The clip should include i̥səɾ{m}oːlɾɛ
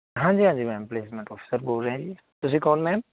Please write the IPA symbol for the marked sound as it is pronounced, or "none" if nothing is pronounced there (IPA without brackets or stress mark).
b